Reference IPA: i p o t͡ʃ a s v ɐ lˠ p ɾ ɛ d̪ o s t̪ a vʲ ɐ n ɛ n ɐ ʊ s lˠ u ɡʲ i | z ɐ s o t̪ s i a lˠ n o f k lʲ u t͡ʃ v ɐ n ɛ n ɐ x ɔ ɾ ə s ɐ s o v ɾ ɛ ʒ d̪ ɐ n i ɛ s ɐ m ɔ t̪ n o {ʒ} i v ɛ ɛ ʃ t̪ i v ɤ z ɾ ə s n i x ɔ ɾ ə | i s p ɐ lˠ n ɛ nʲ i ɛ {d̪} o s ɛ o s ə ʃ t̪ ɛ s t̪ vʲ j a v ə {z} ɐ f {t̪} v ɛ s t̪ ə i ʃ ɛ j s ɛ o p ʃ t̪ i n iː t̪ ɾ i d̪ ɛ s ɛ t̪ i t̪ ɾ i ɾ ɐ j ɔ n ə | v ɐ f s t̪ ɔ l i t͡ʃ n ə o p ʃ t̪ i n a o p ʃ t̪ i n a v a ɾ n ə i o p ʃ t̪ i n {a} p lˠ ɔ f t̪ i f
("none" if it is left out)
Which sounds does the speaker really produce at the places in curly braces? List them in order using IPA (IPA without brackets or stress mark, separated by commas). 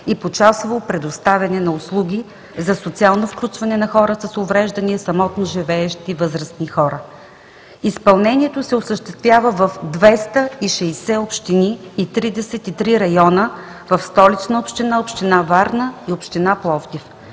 ʒ, t̪, v, d̪, a